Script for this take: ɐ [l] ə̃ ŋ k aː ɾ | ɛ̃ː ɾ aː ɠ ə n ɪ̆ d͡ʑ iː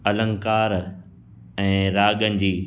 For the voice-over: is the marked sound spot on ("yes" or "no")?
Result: yes